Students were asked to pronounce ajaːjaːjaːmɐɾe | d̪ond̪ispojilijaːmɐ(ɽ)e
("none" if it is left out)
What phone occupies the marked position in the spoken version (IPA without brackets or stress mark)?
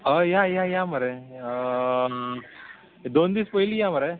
ɾ